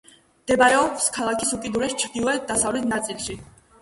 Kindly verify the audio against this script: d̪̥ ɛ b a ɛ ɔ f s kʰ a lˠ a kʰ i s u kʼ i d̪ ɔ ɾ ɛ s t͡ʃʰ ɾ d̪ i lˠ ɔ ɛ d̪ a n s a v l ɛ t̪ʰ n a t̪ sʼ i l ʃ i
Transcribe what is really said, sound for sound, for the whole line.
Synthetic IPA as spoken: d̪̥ ɛ b a ɛ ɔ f s kʰ a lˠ a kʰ i s u kʼ i d̪ u ɾ ɛ s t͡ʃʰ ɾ d̪ i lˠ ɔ ɛ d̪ a s a v l ɛ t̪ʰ n a t̪ sʼ i l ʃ i

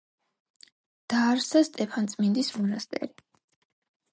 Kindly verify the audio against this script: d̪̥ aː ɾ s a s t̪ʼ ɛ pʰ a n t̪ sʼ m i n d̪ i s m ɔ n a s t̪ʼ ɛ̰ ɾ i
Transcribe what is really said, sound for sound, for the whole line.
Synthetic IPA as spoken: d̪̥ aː ɾ s a s t̪ʼ ɛ pʰ a n t̪ sʼ m i n d̪ i s m ɔ n a s t̪ʼ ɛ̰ ɾ i

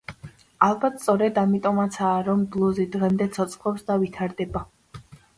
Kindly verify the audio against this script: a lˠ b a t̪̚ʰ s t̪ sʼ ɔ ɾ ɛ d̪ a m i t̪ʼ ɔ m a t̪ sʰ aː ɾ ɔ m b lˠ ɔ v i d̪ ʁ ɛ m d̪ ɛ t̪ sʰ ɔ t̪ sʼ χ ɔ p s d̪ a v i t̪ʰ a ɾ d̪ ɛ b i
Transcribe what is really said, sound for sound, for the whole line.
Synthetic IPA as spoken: a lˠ b a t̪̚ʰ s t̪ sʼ ɔ ɾ ɛ d̪ a m i t̪ʼ ɔ m a t̪ sʰ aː ɾ ɔ m b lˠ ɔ z i d̪ ʁ ɛ m d̪ ɛ t̪ sʰ ɔ t̪ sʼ χ ɔ p s d̪ a v i t̪ʰ a ɾ d̪ ɛ b a

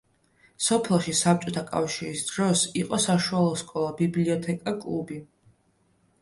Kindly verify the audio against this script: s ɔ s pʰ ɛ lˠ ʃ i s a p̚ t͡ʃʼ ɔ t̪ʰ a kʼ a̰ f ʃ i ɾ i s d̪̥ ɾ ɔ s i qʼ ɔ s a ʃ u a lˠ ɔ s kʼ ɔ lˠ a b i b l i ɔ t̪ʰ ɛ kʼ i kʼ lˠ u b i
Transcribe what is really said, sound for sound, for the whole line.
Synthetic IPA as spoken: s ɔ pʰ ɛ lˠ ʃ i s a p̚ t͡ʃʼ ɔ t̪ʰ a kʼ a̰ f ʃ i ɾ i s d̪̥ ɾ ɔ s i qʼ ɔ s a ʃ u a lˠ ɔ s kʼ ɔ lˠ a b i b l i ɔ t̪ʰ ɛ kʼ a kʼ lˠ u b i

